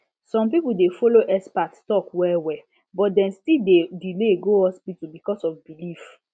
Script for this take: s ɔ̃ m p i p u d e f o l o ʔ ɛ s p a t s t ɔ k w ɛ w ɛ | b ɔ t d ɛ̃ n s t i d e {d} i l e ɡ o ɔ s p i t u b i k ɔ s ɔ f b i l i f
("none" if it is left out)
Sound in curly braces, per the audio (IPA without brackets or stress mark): d